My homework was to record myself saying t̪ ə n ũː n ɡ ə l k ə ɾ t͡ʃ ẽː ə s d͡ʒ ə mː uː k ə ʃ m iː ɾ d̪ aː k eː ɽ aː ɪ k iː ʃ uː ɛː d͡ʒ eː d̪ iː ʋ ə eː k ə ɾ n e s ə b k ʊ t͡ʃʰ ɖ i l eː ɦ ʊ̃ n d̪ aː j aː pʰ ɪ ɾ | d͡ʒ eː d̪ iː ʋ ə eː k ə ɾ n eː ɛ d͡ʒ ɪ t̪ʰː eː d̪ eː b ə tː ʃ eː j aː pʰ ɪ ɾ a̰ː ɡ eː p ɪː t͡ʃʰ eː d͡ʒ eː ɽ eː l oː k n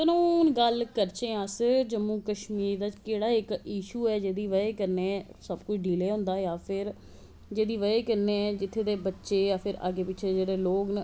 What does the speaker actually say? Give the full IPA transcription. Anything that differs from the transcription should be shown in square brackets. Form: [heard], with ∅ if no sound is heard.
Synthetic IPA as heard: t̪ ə n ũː n ɡ ə l k ə ɾ t͡ʃ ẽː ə s d͡ʒ ə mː uː k ə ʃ m iː ɾ d̪ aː k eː ɽ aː ɪ k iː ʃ uː ɛː d͡ʒ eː d̪ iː ʋ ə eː k ə ɾ n e s ə b k ʊ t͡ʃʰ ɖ [iː] l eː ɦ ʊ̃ n d̪ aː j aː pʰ ɪ ɾ | d͡ʒ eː d̪ iː ʋ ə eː k ə ɾ n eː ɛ d͡ʒ ɪ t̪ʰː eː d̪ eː b ə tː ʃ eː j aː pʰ ɪ ɾ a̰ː ɡ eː p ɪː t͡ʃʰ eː d͡ʒ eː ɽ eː l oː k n

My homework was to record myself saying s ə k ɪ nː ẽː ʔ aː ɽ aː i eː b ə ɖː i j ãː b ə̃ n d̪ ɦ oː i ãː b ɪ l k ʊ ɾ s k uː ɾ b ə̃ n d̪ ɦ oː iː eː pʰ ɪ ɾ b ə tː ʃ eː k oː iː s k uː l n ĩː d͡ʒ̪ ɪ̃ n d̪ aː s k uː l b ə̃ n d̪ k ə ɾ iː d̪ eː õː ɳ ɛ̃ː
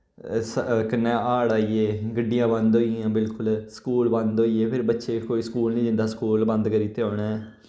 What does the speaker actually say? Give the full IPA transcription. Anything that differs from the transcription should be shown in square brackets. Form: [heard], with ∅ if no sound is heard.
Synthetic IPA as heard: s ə k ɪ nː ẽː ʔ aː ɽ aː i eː [ɡ] ə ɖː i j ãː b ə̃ n d̪ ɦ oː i ãː b ɪ l k ʊ [l] s k uː [l] b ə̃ n d̪ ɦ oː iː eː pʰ ɪ ɾ b ə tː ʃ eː k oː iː s k uː l n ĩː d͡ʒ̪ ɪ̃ n d̪ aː s k uː l b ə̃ n d̪ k ə ɾ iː [t̪] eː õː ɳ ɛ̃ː

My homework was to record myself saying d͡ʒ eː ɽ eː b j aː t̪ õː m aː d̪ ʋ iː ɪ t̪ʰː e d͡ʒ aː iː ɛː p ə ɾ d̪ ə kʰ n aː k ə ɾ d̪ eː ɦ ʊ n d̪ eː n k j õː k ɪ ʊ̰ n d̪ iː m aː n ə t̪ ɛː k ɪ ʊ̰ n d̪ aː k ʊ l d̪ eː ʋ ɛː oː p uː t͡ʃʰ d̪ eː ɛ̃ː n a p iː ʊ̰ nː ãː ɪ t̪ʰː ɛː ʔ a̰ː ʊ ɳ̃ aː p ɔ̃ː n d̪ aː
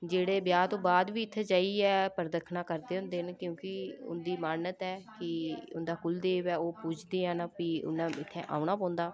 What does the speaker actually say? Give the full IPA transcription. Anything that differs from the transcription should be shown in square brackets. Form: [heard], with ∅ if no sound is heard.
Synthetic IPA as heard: d͡ʒ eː ɽ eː b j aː t̪ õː [b] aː d̪ ʋ iː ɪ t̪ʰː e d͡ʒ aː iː ɛː p ə ɾ d̪ ə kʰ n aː k ə ɾ d̪ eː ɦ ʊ n d̪ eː n k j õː k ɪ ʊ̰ n d̪ iː m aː n ə t̪ ɛː k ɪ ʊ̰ n d̪ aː k ʊ l d̪ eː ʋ ɛː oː p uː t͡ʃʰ d̪ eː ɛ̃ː n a p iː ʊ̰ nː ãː ɪ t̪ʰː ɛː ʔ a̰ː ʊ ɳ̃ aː p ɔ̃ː n d̪ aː

